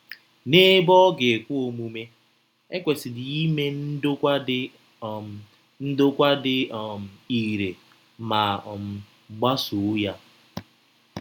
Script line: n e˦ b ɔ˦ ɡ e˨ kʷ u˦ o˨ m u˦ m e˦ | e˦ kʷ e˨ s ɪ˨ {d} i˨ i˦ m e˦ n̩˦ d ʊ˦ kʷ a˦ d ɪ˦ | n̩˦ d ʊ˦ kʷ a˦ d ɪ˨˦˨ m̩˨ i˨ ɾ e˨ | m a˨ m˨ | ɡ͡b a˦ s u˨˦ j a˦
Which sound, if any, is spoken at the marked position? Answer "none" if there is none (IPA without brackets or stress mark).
d